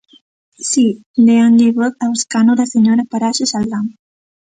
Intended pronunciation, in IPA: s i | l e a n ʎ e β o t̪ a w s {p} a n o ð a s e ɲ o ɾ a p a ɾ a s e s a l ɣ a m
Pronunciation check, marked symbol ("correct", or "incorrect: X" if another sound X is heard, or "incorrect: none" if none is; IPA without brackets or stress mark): incorrect: k